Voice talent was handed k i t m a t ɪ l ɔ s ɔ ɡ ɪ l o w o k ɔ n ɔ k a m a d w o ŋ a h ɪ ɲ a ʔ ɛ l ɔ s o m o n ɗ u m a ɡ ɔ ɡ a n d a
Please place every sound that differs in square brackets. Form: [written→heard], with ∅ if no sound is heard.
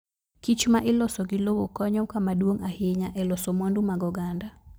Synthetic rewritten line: k i [t→t͡ʃ] m a [t→ʔ] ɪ l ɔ s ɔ ɡ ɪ l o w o k ɔ [n→ɲ] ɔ k a m a d w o ŋ a h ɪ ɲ a ʔ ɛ l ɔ s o m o n [ɗ→d] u m a ɡ ɔ ɡ a n d a